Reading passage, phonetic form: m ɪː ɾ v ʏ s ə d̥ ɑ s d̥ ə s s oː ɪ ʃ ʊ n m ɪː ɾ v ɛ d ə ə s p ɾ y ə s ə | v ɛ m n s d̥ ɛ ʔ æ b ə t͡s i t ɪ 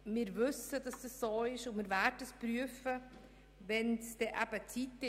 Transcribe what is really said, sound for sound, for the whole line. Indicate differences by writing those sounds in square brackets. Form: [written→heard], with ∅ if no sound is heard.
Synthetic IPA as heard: m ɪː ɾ v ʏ s ə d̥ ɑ s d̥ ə s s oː ɪ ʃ ʊ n m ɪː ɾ v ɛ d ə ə s p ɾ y ə [s→f] ə | v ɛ [m→∅] n s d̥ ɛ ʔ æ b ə t͡s i t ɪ

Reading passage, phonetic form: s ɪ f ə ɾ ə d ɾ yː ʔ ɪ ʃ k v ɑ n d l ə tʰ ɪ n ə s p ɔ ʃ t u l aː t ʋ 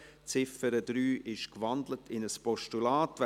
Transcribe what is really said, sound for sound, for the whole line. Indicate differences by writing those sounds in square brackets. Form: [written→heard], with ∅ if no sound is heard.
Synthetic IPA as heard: [s→t͡s] ɪ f ə ɾ ə d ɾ yː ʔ ɪ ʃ k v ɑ n d l ə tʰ ɪ n ə s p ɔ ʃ t u l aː t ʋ

